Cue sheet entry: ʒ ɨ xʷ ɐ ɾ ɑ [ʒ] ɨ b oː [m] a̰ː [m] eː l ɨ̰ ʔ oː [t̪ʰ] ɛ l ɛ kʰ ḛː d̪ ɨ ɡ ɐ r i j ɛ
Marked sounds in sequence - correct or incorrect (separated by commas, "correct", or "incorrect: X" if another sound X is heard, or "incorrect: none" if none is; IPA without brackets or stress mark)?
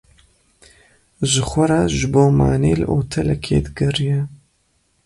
correct, correct, incorrect: n, correct